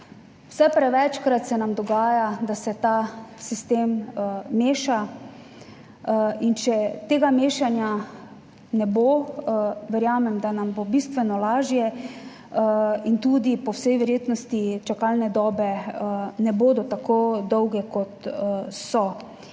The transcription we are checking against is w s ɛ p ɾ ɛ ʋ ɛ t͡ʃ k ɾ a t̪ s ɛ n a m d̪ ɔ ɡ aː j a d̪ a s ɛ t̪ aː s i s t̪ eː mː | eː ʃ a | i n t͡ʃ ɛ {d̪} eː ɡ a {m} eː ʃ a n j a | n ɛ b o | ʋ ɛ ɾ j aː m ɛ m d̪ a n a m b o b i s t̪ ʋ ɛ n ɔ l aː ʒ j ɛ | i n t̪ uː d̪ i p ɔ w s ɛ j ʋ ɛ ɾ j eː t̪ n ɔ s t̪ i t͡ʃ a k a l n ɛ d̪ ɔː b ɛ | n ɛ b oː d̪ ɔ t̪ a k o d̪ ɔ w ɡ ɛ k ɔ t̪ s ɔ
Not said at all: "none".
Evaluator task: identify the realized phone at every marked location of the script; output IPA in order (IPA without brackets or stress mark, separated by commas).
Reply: t̪, m